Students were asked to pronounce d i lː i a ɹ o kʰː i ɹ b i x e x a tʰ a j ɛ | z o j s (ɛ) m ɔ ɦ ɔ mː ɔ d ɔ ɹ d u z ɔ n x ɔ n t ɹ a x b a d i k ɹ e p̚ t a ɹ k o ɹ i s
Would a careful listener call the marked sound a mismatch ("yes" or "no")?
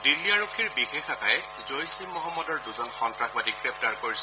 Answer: yes